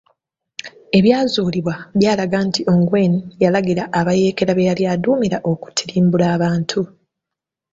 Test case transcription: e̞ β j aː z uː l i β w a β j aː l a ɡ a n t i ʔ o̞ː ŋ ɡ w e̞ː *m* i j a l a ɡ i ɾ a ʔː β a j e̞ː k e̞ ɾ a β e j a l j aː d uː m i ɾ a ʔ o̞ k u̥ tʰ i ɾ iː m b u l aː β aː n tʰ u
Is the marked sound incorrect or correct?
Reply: incorrect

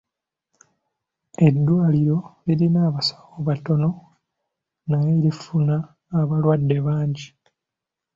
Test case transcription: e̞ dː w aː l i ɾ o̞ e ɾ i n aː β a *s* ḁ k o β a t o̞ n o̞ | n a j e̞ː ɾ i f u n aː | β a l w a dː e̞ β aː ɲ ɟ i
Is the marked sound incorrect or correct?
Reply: correct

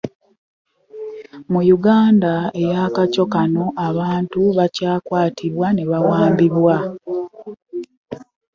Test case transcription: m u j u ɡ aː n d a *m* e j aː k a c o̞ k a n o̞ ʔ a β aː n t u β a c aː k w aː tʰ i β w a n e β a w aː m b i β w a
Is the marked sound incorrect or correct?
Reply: incorrect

